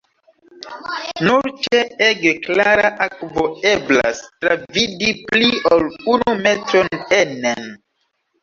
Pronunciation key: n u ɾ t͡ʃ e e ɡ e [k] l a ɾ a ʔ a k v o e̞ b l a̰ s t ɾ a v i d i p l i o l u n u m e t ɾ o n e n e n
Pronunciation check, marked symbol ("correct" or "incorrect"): correct